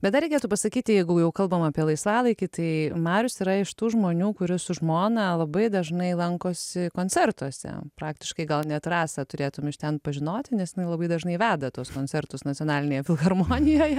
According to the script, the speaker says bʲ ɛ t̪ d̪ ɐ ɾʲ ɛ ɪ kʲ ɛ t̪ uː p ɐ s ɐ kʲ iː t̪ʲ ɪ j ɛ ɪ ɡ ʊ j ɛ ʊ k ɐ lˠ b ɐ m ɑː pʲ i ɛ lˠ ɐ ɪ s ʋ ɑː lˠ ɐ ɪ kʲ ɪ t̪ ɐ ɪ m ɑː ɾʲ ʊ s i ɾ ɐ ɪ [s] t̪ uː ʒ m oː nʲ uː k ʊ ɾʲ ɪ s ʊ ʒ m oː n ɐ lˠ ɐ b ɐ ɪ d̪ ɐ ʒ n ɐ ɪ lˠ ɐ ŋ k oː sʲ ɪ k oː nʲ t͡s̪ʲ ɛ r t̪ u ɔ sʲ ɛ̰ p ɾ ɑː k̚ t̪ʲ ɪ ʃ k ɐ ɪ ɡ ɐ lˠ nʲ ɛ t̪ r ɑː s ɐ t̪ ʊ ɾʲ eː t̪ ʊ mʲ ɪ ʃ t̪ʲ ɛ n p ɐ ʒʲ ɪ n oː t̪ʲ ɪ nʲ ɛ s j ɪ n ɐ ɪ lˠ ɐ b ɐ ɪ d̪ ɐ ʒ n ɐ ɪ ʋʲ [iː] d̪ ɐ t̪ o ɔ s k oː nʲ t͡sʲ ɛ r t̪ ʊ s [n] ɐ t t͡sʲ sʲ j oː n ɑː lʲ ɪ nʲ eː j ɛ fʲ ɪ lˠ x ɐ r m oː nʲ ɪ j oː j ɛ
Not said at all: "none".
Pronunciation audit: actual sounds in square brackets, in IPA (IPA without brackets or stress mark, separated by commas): ʃ, æː, n